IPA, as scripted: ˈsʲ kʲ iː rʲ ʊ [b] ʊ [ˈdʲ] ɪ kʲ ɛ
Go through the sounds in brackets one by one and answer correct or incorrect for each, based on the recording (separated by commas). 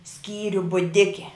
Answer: correct, correct